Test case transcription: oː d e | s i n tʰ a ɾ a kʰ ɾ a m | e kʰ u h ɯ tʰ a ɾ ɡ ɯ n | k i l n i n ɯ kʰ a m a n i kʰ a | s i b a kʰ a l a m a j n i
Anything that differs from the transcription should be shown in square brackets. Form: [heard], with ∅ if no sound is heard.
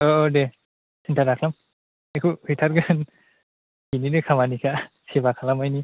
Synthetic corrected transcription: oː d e | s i n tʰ a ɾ a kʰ [l] a m | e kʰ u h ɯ tʰ a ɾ ɡ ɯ n | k i [∅] n i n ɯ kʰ a m a n i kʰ a | s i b a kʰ a l a m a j n i

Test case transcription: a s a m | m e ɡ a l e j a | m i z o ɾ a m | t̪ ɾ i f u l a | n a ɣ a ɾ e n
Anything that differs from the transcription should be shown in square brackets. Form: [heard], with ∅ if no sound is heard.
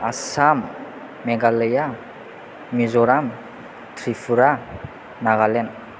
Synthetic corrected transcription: a s a m | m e ɡ a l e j a | m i z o ɾ a m | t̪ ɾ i f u [ɾ] a | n a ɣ a [l] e n

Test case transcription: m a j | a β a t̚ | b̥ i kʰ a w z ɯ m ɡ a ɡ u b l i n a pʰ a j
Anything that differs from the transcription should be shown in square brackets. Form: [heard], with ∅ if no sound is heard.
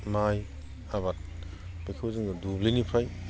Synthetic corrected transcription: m a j | a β a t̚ | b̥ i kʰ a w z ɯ [ŋ] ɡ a [d] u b l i n [i] pʰ a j

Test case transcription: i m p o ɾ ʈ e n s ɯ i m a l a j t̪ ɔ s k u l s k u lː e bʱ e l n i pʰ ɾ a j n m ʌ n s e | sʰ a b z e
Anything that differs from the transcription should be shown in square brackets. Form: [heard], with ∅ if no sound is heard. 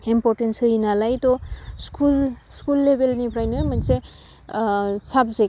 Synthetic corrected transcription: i m p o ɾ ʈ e n s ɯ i [n] a l a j t̪ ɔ s k u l s k u lː e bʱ e l n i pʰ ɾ a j n m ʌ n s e | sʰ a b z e

